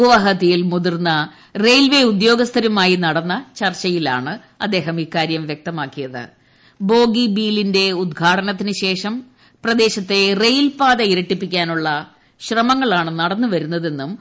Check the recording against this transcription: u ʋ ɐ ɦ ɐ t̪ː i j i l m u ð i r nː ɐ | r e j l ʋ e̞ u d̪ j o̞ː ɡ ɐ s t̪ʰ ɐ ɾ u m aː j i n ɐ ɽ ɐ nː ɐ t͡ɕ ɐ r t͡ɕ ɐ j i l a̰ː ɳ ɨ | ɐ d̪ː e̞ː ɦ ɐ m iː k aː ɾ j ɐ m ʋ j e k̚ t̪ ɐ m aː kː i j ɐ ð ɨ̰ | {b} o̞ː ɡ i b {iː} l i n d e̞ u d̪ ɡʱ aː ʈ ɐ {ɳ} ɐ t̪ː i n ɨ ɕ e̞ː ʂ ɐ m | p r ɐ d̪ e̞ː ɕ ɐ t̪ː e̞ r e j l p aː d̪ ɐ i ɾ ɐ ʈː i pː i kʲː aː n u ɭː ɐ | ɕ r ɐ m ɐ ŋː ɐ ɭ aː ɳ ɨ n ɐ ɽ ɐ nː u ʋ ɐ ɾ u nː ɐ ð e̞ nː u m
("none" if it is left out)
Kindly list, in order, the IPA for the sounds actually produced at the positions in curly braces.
b, iː, n

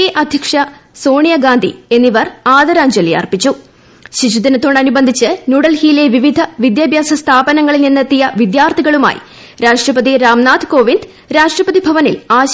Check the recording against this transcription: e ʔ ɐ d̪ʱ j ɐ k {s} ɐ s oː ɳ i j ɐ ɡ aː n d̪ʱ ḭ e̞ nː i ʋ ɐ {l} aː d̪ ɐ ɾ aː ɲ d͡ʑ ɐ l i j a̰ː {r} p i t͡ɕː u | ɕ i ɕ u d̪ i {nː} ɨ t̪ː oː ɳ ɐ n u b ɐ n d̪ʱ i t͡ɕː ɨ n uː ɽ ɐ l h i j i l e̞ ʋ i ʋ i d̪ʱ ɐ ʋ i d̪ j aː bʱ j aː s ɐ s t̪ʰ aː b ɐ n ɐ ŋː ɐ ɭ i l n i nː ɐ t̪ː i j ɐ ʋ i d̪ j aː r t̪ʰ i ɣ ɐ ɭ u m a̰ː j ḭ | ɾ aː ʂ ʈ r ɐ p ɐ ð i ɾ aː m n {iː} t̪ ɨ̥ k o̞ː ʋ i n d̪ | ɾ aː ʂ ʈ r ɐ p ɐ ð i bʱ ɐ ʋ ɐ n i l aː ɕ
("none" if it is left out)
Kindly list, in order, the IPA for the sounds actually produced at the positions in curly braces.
ʂ, r, r, n, aː

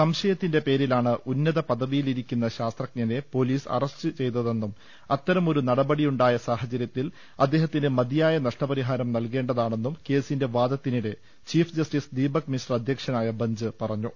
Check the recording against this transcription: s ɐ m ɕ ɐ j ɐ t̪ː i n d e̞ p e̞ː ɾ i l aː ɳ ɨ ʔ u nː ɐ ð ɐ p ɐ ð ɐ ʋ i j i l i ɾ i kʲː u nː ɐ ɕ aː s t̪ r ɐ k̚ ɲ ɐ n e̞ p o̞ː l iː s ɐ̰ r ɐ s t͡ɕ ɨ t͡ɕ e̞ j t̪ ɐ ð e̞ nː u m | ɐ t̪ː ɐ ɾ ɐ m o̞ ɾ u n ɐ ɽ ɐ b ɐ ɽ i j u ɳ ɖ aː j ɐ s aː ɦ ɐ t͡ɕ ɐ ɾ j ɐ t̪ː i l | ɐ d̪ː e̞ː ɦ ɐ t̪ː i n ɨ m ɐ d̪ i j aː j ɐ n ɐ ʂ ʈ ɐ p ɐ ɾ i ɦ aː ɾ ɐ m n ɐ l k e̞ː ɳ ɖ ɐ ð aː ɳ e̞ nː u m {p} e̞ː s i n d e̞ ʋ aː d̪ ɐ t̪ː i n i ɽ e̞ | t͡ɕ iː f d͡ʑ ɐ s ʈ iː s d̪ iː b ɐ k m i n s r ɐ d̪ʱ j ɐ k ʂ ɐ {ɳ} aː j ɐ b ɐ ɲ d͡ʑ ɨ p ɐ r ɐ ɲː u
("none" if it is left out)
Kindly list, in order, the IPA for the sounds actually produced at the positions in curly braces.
k, n

